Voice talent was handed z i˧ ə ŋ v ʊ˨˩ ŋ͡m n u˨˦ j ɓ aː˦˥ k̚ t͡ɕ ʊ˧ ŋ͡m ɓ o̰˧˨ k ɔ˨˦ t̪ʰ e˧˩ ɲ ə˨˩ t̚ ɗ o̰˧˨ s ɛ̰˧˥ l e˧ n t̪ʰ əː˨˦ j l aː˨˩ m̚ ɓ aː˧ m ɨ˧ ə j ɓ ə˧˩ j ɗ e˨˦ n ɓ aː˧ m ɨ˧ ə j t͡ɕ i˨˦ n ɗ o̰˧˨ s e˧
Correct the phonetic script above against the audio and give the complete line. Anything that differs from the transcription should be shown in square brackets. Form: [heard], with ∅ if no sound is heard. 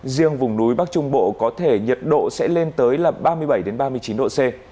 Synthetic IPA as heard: z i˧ ə ŋ v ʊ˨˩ ŋ͡m n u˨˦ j ɓ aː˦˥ k̚ t͡ɕ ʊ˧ ŋ͡m ɓ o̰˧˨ k ɔ˨˦ t̪ʰ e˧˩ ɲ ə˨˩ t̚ ɗ o̰˧˨ s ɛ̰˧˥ l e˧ n [t̪] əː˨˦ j l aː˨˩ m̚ ɓ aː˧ m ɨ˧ ə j ɓ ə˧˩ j ɗ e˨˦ n ɓ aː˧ m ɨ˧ ə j t͡ɕ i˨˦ n ɗ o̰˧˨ s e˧